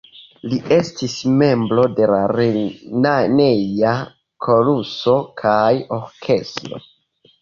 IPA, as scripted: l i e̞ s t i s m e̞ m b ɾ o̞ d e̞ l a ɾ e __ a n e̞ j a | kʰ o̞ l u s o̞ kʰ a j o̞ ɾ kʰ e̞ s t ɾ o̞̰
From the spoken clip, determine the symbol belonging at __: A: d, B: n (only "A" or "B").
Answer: B